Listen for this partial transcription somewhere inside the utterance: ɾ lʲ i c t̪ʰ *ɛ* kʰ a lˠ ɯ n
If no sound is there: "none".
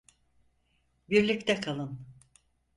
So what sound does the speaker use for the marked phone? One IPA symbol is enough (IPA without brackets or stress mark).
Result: ɛ